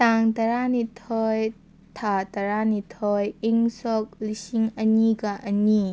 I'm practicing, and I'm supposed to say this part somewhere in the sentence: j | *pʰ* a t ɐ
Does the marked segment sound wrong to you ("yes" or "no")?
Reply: yes